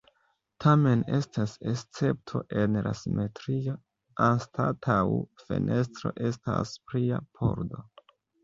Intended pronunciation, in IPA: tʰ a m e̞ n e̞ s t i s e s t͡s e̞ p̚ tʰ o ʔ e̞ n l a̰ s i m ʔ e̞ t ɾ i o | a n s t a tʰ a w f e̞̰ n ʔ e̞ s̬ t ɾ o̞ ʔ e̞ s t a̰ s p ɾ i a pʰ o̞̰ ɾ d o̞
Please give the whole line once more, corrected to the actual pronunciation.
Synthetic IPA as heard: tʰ a m e̞ n e̞ s t a s e s t͡s e̞ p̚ tʰ o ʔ e̞ n l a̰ s i m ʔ e̞ t ɾ i o | a n s t a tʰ a w f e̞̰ n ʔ e̞ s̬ t ɾ o̞ ʔ e̞ s t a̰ s p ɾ i a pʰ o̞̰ ɾ d o̞